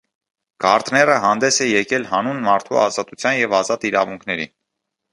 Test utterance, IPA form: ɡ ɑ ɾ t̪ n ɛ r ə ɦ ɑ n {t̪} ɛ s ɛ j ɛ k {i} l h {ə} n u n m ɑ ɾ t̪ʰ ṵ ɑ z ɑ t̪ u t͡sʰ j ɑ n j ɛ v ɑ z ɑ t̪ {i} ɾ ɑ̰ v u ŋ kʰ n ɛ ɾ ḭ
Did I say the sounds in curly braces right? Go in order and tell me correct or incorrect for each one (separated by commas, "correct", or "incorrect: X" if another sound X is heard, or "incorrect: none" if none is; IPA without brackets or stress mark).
incorrect: d̪, incorrect: ɛ, incorrect: ɑ, correct